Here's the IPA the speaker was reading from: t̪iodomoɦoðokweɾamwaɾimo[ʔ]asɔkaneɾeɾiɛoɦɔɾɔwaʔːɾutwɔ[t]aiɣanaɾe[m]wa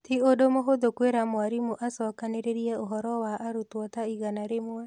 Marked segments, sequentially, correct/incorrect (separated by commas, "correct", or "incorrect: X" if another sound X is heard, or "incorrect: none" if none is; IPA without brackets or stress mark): correct, correct, correct